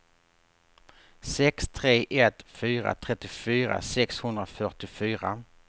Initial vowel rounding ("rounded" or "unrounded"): unrounded